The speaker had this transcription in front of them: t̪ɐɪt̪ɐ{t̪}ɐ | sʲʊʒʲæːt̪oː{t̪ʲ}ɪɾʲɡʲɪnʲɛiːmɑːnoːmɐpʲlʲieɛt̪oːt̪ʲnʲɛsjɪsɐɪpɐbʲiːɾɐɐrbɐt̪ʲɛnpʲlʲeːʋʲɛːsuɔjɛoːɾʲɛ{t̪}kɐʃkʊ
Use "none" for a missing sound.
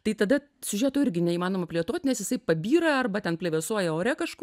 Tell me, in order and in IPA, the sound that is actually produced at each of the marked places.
d̪, none, none

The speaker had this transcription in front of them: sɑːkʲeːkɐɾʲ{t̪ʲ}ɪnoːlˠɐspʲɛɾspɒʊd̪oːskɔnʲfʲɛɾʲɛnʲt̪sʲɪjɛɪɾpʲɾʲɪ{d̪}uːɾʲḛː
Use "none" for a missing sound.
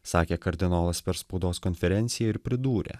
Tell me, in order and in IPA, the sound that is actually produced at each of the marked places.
d̪ʲ, d̪

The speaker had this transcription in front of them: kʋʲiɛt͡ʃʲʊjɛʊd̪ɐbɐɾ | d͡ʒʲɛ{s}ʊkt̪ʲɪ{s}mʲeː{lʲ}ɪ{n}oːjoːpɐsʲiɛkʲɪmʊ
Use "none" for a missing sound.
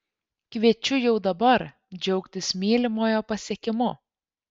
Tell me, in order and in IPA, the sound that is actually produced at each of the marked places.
none, s, lʲ, m

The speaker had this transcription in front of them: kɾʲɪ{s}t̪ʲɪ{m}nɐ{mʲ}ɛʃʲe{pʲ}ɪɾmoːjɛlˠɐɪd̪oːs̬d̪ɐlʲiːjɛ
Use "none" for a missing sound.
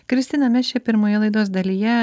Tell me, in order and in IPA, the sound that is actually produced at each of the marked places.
s, none, mʲ, pʲ

